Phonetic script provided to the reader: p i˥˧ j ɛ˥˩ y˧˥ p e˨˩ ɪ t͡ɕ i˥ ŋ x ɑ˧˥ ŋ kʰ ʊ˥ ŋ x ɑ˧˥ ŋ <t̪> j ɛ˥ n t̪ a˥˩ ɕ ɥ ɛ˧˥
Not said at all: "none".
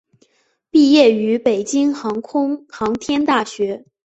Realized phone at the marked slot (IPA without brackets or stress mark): t̪ʰ